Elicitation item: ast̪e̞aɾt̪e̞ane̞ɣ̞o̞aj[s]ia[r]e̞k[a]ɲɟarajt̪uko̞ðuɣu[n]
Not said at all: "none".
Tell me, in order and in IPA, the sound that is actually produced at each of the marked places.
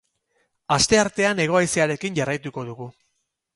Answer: s, ɾ, i, none

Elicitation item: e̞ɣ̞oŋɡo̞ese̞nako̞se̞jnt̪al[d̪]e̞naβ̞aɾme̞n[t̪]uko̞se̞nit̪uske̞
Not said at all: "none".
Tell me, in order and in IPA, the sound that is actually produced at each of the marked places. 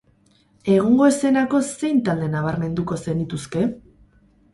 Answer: d̪, d̪

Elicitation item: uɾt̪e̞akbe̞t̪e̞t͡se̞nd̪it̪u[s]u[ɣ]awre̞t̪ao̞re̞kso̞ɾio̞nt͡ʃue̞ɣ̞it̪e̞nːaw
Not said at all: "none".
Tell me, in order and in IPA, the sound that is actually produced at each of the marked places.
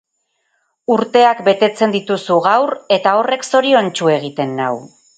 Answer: s, ɣ

